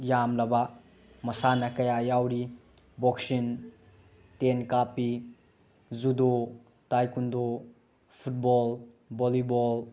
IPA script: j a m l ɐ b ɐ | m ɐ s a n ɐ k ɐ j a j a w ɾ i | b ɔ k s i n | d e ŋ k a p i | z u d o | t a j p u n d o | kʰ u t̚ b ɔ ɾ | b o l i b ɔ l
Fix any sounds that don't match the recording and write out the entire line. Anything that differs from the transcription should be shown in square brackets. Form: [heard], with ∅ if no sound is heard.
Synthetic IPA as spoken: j a m l ɐ b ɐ | m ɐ s a n ɐ k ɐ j a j a w ɾ i | b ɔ k s i n | [t] e [n] k a p i | z u d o | t a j [k] u n d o | [pʰ] u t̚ b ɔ [l] | b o l i b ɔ l